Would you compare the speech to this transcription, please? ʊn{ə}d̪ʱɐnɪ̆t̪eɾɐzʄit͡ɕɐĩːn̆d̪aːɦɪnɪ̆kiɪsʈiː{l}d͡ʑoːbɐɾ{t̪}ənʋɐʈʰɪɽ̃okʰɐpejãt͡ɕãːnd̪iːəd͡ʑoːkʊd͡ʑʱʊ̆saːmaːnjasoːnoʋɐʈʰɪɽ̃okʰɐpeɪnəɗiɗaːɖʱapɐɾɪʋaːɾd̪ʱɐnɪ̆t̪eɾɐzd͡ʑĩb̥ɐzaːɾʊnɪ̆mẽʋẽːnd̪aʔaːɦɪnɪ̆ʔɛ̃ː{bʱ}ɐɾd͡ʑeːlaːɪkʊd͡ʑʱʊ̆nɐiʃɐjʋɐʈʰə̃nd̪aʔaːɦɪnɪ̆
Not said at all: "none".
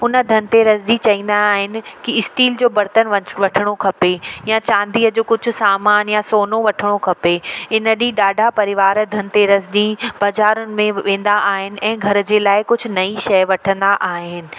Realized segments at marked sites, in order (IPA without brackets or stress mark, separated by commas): ə, l, t̪, ɡʱ